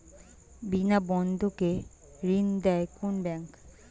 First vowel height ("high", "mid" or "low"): high